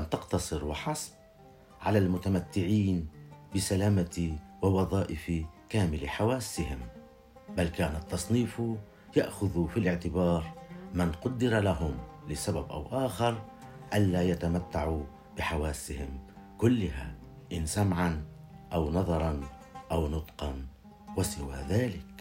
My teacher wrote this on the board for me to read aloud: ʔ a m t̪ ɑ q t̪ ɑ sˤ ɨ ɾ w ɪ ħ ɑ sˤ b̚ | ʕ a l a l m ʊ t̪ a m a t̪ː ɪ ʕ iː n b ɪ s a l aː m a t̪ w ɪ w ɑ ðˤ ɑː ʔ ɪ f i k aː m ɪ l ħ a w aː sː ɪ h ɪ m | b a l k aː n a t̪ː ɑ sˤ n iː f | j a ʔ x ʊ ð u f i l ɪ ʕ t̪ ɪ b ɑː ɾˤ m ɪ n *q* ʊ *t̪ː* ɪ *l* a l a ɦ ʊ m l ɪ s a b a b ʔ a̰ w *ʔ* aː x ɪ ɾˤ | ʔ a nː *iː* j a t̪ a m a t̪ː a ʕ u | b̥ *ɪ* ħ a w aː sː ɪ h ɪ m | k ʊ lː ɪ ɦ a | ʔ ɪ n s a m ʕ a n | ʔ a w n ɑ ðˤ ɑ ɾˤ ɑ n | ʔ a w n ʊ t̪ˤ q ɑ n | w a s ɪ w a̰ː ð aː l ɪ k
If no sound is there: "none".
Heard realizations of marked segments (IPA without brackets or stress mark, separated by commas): q, d̪ː, ɾ, ʔ, aː, ɪ